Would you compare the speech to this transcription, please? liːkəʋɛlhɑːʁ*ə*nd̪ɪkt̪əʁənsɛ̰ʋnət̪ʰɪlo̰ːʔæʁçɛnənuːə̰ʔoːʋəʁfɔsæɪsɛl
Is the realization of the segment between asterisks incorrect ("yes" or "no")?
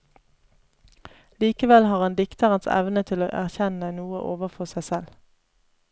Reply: yes